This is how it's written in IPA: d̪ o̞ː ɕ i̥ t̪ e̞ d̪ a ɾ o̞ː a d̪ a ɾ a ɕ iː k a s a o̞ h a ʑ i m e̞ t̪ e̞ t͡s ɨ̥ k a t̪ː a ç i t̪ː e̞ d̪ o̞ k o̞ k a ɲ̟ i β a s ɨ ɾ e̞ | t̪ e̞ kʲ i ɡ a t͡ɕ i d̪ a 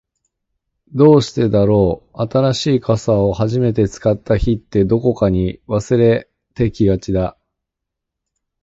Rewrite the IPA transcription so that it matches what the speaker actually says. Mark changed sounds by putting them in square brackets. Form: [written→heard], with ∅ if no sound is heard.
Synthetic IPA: d̪ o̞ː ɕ i̥ t̪ e̞ d̪ a ɾ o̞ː a [d̪→t̪] a ɾ a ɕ iː k a s a o̞ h a ʑ i m e̞ t̪ e̞ t͡s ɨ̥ k a t̪ː a ç i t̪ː e̞ d̪ o̞ k o̞ k a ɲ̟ i β a s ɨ ɾ e̞ | t̪ e̞ kʲ i ɡ a t͡ɕ i d̪ a